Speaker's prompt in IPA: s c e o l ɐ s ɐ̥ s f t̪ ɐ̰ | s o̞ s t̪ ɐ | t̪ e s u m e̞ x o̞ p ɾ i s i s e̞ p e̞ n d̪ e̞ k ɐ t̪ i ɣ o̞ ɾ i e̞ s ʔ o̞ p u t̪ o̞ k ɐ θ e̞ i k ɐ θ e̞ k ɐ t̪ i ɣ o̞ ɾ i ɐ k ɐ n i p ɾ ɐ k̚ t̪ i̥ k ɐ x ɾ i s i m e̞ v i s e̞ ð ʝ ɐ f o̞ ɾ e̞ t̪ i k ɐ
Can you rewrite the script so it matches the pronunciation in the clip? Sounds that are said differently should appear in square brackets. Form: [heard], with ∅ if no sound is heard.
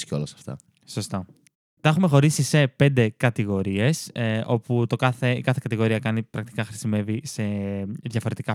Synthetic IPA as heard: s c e o l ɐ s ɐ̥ [∅] f t̪ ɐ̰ | s o̞ s t̪ ɐ | t̪ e [x] u m e̞ x o̞ [∅] ɾ i s i s e̞ p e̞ n d̪ e̞ k ɐ t̪ i ɣ o̞ ɾ i e̞ s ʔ o̞ p u t̪ o̞ k ɐ θ e̞ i k ɐ θ e̞ k ɐ t̪ i ɣ o̞ ɾ i ɐ k ɐ n i p ɾ ɐ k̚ t̪ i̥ k ɐ x ɾ i s i m e̞ v i s e̞ ð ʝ ɐ f o̞ ɾ e̞ t̪ i k ɐ